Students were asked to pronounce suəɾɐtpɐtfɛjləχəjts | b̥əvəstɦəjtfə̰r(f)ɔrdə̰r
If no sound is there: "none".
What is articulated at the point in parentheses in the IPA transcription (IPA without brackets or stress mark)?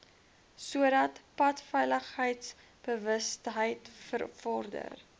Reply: f